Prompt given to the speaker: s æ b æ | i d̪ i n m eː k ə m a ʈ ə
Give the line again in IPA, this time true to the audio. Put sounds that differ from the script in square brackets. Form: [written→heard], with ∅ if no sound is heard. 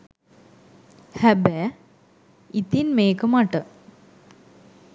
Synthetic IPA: [s→h] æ b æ | i [d̪→t̪] i n m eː k ə m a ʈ ə